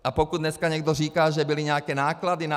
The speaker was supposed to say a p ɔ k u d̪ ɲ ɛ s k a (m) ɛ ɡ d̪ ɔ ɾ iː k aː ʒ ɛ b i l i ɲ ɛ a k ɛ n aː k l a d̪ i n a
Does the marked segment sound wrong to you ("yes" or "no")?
yes